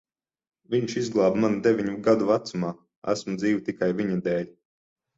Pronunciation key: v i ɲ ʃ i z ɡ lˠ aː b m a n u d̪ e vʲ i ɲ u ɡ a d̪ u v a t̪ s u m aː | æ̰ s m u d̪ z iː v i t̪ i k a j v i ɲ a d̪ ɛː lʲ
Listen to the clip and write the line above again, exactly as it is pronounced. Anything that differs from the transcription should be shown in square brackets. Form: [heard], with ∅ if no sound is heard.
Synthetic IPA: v i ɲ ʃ i z ɡ lˠ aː b m a n u d̪ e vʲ i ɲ u ɡ a d̪ u v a t̪ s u m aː | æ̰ s m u d̪ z iː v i t̪ i k a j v i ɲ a d̪ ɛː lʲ